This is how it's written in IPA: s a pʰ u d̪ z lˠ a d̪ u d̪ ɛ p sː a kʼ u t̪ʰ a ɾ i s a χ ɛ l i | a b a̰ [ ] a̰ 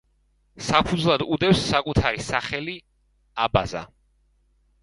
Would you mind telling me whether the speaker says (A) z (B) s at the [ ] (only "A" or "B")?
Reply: A